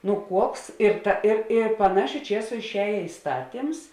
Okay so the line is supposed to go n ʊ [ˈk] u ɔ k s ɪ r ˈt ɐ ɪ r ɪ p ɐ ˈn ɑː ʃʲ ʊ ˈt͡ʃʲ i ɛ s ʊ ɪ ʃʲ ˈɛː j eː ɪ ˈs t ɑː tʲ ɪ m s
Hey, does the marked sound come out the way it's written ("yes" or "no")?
yes